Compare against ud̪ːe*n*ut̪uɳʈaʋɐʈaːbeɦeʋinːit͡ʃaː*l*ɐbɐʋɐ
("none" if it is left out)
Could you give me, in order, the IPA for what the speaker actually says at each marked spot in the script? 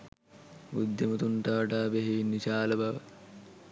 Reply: m, l

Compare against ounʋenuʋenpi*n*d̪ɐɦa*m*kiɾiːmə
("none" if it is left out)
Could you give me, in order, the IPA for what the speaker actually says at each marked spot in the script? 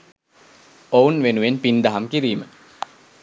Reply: n, m

